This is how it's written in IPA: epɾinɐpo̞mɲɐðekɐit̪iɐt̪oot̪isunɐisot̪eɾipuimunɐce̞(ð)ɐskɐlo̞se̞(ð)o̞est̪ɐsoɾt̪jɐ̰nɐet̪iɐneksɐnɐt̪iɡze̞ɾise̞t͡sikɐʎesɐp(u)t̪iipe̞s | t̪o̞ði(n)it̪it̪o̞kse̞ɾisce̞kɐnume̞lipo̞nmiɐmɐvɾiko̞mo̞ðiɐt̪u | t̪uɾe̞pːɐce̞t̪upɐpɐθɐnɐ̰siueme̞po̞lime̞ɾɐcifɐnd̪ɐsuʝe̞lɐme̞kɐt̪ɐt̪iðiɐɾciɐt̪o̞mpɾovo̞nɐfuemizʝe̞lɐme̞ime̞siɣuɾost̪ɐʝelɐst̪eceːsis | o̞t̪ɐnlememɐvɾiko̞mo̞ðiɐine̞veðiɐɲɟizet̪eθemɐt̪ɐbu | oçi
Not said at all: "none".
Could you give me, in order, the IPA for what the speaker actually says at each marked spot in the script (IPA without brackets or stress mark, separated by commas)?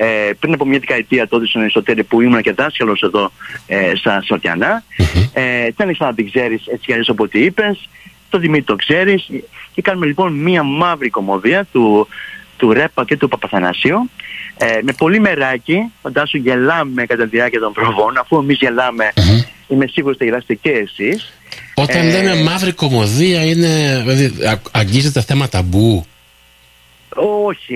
ð, ð, o, m